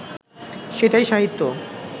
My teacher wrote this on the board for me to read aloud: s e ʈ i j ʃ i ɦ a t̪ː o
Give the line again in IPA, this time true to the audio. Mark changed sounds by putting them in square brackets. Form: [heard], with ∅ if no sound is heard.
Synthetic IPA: [ʃ] e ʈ [a] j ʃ [a] ɦ [i] t̪ː o